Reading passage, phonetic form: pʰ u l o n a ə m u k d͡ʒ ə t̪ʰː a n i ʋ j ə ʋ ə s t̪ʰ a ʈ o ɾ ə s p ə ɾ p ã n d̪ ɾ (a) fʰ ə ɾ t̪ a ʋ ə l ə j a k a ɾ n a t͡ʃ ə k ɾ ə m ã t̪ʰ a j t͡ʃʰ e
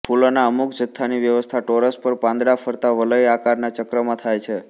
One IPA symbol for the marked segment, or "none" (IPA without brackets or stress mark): a